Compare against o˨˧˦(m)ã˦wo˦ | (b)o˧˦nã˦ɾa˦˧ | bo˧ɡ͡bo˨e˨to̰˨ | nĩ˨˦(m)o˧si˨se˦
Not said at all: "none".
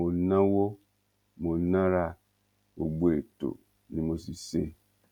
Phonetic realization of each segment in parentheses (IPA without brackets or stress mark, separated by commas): n, m, m